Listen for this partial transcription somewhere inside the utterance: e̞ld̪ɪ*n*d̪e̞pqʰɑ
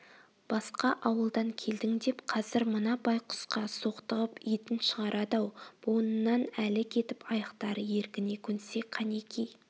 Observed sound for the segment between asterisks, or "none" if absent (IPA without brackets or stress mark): ŋ